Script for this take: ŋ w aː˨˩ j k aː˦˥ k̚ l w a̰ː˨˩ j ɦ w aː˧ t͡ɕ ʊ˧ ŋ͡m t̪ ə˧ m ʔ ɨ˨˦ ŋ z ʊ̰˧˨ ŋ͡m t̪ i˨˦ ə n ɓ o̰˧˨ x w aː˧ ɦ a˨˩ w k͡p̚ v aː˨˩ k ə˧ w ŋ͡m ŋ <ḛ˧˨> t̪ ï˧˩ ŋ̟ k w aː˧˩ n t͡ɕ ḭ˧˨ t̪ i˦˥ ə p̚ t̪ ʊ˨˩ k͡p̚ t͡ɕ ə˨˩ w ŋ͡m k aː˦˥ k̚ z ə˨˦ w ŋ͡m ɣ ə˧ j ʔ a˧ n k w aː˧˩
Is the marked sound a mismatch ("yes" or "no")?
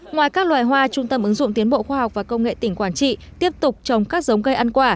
no